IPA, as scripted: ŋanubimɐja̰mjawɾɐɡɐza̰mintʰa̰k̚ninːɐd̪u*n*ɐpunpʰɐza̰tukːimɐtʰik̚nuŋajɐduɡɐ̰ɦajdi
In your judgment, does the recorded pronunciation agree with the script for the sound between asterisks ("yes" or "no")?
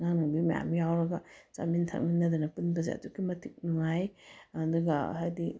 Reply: yes